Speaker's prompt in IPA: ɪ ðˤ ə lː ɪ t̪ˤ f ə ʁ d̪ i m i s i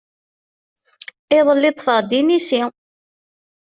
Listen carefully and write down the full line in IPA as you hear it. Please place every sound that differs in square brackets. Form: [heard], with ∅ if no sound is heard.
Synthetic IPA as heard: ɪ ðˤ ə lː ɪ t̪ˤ f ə ʁ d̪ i [n] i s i